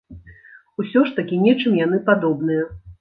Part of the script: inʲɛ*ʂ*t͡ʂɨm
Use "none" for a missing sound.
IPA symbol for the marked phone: none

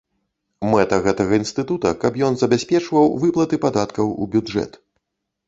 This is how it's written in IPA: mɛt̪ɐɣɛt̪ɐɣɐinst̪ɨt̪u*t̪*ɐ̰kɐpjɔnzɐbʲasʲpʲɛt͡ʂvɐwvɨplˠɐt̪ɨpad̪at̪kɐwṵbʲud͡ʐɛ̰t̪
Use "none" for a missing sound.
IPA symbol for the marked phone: t̪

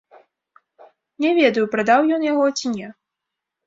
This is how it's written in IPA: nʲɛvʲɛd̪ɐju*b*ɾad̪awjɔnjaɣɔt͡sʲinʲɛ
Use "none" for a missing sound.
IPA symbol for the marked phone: p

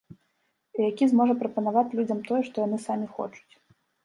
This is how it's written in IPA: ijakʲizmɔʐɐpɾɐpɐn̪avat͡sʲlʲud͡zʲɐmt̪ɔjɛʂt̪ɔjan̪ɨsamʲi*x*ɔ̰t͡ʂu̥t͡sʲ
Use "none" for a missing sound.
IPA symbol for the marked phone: x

